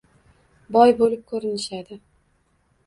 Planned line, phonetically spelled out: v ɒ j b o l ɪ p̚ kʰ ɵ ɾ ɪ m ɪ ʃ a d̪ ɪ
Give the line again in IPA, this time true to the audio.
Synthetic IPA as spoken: b ɒ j b o l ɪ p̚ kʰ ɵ ɾ ɪ n ɪ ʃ a d̪ ɪ